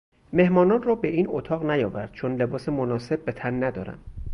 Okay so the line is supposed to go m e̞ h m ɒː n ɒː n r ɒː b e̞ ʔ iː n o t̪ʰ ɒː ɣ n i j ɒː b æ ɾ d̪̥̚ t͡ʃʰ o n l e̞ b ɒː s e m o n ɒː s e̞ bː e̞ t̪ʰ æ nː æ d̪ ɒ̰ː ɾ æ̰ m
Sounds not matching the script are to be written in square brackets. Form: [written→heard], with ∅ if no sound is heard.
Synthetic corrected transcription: m e̞ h m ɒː n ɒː n r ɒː b e̞ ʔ iː n o t̪ʰ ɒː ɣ n [i→æ] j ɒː [b→v] æ ɾ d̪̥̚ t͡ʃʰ o n l e̞ b ɒː s e m o n ɒː s e̞ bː e̞ t̪ʰ æ nː æ d̪ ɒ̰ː ɾ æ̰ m